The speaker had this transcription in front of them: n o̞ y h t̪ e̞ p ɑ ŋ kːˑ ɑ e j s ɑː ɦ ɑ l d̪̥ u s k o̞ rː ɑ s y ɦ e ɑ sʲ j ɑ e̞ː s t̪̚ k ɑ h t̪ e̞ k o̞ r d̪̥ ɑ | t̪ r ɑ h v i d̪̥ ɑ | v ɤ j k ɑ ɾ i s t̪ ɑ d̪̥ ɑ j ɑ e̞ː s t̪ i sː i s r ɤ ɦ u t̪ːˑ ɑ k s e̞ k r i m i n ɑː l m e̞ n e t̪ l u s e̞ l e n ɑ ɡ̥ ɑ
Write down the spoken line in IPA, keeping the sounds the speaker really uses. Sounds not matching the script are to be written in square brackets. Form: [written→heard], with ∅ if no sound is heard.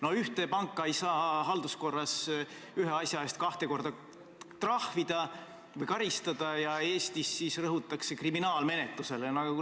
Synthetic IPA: n o̞ y h t̪ e̞ p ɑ ŋ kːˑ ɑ e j s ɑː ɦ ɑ l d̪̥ u s k o̞ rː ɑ s y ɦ e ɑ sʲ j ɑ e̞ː s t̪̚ k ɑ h t̪ e̞ k o̞ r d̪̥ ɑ | t̪ r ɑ h v i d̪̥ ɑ | v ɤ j k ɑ ɾ i s t̪ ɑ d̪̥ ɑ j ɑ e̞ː s t̪ i sː i s r ɤ ɦ u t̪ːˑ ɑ k s e̞ k r i m i n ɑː l m e̞ n e t̪ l u s e̞ l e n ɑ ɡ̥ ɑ